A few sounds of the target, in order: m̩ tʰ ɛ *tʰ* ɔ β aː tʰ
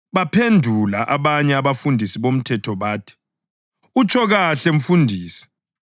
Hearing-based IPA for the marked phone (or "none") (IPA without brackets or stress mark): tʰ